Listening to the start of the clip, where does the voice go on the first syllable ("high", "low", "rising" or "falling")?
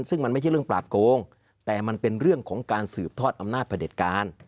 falling